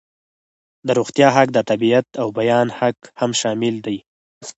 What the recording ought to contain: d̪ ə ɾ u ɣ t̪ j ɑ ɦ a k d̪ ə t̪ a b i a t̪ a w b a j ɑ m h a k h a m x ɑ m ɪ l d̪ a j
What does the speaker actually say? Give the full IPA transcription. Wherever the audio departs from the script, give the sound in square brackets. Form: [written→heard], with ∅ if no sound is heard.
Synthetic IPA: d̪ ə ɾ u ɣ t̪ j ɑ ɦ a k d̪ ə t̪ a b i a t̪ a w b a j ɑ [m→n] h a k h a m [x→ʃ] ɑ m ɪ l d̪ a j